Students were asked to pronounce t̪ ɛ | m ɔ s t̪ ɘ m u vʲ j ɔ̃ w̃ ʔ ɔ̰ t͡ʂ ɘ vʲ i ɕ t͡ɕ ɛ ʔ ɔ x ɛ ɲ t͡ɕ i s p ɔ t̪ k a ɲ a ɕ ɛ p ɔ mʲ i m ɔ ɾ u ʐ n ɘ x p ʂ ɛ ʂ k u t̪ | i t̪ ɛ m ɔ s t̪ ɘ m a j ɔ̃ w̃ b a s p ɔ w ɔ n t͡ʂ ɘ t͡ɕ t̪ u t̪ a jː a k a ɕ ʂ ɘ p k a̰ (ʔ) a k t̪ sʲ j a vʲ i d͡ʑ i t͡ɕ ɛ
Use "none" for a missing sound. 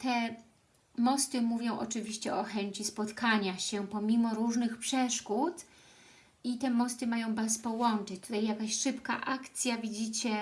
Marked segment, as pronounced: ʔ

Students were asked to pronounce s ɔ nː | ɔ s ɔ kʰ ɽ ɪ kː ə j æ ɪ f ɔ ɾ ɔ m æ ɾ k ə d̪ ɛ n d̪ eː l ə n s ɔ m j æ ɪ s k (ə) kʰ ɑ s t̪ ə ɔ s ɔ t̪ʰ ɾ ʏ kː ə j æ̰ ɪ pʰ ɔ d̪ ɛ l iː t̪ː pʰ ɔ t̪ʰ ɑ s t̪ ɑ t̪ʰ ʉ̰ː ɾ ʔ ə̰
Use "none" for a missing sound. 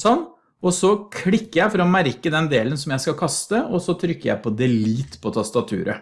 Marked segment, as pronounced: ɑ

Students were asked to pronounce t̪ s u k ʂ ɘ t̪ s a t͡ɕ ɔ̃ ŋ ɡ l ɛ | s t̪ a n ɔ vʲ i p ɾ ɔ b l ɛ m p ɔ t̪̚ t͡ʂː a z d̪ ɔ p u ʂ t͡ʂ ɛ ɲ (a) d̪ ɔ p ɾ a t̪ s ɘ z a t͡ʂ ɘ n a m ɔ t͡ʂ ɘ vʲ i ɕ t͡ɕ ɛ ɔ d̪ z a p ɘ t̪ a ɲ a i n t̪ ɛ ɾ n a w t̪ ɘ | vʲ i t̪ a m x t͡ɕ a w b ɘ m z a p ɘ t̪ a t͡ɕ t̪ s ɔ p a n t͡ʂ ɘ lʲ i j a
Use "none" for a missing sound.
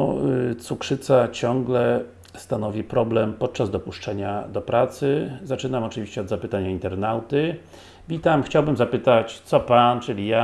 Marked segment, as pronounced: a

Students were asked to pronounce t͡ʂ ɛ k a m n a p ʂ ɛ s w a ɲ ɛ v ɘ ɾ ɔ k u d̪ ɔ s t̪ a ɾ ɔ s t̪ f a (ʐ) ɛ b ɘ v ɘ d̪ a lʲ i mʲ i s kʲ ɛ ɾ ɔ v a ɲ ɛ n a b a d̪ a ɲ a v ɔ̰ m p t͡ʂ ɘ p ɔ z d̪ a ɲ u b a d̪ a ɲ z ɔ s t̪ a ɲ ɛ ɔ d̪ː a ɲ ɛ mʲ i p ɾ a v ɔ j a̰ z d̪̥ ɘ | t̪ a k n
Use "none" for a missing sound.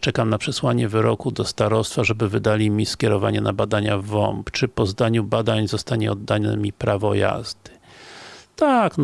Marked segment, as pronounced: ʐ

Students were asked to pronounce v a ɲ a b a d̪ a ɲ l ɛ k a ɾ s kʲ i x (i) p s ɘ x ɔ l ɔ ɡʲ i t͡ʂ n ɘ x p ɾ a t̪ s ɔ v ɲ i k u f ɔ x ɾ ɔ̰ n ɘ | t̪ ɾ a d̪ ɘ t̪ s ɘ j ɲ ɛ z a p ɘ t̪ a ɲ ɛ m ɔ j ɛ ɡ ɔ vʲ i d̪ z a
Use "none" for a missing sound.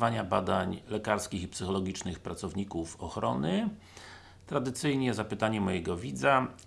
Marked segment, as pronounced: i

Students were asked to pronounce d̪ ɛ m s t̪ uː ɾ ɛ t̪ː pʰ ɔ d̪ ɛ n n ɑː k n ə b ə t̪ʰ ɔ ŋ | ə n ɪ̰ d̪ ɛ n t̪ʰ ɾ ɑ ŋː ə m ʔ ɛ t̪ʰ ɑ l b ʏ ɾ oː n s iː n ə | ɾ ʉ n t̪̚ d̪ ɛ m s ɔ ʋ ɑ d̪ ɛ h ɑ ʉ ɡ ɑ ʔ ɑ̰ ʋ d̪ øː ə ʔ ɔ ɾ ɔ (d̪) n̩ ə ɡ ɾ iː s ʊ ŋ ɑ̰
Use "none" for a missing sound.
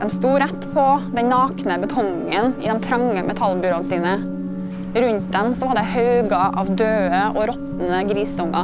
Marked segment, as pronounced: t̪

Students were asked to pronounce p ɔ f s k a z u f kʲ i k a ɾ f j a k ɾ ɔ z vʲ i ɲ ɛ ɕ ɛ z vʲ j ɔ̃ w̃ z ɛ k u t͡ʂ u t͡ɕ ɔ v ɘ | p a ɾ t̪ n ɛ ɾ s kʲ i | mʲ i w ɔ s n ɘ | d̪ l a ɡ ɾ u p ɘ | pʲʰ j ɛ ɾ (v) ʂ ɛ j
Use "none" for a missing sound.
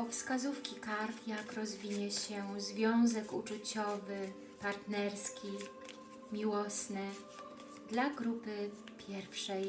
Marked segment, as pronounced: f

